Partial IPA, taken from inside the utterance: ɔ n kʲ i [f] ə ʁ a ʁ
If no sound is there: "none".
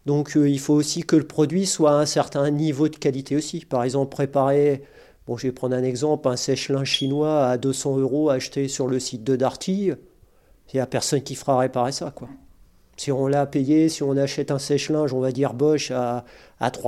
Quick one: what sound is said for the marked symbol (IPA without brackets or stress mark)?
f